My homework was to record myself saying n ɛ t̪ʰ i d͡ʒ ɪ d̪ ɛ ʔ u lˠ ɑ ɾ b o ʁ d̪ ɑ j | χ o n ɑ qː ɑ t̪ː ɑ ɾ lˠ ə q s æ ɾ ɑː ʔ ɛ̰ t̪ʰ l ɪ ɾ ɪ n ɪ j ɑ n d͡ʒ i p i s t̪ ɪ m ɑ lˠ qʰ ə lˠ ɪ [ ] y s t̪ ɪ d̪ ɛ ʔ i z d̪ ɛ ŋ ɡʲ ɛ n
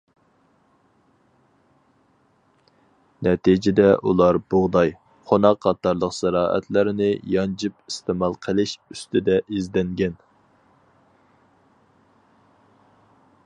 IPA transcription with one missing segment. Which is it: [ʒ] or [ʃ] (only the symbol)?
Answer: ʃ